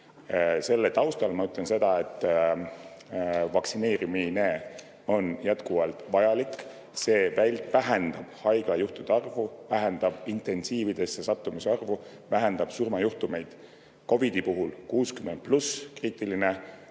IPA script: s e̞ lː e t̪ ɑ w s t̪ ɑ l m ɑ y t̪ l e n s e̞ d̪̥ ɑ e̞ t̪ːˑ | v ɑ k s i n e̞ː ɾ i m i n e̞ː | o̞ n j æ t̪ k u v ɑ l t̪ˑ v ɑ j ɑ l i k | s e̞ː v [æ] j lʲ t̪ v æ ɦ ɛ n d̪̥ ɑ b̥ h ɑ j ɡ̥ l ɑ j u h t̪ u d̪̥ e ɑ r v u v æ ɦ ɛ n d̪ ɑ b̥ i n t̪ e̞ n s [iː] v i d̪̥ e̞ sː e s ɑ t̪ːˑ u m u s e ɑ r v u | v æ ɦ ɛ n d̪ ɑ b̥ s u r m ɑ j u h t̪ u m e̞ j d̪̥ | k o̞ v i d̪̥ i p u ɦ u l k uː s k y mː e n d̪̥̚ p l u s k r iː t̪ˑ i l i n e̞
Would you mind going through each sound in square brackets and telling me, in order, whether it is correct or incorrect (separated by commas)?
correct, correct